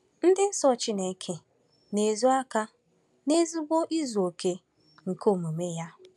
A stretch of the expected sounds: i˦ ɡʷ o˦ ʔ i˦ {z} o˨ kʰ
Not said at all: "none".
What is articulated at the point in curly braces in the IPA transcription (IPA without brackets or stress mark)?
z